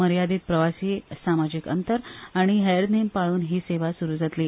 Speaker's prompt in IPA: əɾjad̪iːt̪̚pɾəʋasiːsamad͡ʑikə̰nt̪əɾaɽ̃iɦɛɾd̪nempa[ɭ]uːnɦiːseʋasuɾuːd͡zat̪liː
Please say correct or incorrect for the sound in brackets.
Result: correct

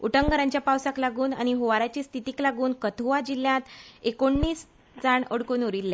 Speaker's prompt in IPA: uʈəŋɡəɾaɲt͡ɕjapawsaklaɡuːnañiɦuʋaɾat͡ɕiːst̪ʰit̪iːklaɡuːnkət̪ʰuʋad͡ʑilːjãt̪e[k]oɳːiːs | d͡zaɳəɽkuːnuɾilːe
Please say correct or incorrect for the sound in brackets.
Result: correct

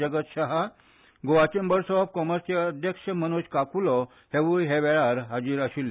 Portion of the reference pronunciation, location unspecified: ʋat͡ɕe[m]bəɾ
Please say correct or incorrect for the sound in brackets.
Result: correct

